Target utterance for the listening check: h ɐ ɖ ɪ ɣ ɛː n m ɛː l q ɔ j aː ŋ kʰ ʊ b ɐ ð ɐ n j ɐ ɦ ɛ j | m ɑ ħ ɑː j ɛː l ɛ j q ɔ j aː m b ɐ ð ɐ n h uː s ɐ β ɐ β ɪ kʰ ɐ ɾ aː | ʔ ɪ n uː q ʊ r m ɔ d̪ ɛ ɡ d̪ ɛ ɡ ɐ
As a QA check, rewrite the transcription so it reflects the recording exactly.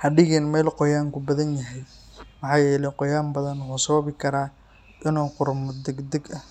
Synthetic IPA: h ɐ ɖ ɪ ɣ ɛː n m ɛː l q ɔ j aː ŋ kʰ ʊ b ɐ ð ɐ n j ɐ ɦ ɛ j | m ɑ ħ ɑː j ɛː l ɛ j q ɔ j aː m b ɐ ð ɐ n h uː s ɐ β ɐ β ɪ kʰ ɐ ɾ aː | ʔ ɪ n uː q ʊ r m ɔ d̪ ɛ ɡ d̪ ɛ ɡ ɐ